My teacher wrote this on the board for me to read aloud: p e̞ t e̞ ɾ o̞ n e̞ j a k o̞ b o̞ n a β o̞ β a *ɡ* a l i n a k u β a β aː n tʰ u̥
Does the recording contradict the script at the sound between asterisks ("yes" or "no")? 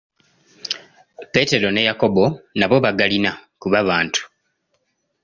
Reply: no